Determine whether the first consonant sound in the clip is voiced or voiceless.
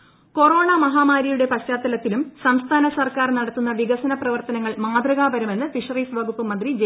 voiceless